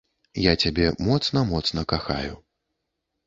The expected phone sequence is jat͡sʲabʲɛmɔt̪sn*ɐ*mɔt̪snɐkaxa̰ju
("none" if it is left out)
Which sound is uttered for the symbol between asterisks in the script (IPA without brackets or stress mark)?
ɐ